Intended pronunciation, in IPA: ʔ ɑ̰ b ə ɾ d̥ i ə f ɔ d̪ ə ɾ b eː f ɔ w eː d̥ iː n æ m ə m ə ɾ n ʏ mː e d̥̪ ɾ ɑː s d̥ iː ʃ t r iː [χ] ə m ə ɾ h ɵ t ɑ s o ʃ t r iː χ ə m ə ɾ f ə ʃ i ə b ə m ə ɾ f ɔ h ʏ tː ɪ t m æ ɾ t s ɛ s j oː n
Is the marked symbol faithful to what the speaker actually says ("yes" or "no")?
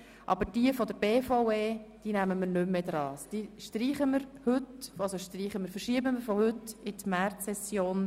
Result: yes